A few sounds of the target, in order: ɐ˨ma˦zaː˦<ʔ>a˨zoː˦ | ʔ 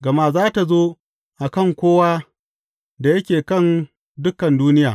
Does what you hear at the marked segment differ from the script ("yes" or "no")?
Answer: yes